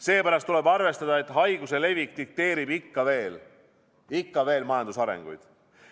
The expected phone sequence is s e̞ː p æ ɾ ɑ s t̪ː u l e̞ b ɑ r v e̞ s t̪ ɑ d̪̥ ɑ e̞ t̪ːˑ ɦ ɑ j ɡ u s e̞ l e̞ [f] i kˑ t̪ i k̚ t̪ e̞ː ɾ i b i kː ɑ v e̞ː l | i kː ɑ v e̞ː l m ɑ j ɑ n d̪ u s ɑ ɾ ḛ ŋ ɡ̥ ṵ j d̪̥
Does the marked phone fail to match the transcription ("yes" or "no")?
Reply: yes